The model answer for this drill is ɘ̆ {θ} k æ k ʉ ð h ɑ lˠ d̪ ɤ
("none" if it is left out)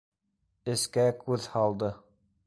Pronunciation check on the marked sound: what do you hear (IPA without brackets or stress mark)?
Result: s